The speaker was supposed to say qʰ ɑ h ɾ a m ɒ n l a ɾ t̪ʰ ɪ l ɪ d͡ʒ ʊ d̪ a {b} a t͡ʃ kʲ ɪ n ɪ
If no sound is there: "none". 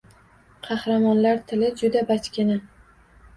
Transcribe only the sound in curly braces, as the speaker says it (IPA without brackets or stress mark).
b